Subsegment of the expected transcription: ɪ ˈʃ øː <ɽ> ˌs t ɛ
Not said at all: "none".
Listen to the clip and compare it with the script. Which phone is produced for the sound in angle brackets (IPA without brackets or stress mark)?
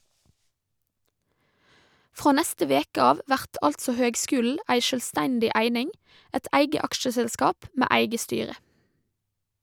l